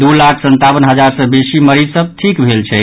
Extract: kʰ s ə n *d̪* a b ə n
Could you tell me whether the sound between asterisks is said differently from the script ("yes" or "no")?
yes